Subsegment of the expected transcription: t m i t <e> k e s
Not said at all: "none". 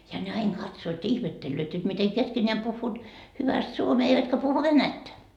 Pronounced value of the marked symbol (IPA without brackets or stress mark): e